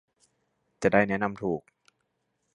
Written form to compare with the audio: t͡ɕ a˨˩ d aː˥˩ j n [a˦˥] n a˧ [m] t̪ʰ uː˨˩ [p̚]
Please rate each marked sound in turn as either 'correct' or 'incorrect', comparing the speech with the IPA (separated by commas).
incorrect, correct, incorrect